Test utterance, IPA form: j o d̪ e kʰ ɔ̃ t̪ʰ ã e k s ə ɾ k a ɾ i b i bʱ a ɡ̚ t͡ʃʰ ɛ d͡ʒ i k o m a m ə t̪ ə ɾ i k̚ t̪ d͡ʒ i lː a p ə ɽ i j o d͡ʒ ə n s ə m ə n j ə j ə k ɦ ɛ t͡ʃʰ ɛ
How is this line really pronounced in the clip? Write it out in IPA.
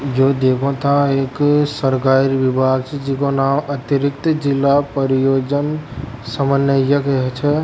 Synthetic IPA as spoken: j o d̪ e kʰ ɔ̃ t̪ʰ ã e k s ə ɾ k a ɾ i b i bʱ a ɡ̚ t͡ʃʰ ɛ d͡ʒ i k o n a m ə t̪ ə ɾ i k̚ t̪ d͡ʒ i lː a p ə ɾ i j o d͡ʒ ə n s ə m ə n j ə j ə k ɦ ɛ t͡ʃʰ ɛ